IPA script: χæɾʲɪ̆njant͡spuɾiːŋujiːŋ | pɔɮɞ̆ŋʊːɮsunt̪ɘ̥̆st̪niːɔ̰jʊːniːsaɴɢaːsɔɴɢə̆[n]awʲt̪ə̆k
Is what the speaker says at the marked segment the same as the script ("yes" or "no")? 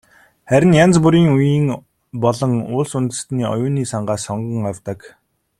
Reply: no